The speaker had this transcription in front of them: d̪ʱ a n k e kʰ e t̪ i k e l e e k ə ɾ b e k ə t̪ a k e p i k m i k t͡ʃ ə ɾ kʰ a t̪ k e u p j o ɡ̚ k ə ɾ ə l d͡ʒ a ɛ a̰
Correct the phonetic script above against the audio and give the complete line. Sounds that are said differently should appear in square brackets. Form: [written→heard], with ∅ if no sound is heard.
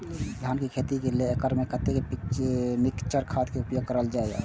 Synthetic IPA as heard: d̪ʱ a n k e kʰ e t̪ i k e l e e k ə ɾ [b→m] e k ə t̪ [a→e] k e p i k m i k t͡ʃ ə ɾ kʰ a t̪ k e u p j o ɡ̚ k ə ɾ ə l d͡ʒ a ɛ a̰